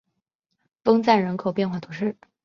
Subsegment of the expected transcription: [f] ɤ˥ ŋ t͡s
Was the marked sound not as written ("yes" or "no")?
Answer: no